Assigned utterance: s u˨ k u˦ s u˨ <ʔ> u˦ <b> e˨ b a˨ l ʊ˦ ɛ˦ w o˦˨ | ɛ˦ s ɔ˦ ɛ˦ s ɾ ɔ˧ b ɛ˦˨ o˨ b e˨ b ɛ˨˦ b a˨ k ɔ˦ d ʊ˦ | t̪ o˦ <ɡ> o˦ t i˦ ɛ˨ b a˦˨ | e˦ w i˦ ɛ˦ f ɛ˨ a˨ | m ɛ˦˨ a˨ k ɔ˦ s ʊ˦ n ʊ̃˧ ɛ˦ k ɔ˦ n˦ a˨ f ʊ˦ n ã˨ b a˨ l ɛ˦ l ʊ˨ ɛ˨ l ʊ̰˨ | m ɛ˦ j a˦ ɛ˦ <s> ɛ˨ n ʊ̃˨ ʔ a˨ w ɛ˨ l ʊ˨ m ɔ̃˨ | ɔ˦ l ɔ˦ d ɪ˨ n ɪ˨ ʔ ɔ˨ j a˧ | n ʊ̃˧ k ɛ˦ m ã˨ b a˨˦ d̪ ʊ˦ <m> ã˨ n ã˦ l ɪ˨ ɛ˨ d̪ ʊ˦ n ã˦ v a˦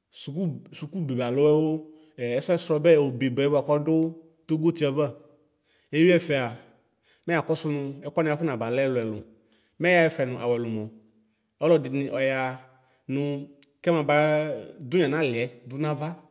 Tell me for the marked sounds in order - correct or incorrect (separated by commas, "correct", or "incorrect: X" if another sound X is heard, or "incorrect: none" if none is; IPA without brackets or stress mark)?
incorrect: k, correct, correct, incorrect: f, incorrect: ɲ